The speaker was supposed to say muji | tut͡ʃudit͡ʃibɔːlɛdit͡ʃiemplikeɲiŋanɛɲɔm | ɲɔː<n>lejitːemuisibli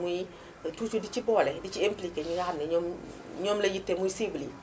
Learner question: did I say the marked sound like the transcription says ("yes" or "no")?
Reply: no